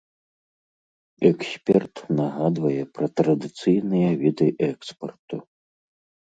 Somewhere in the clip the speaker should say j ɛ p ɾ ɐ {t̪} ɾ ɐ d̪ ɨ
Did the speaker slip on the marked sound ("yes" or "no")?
no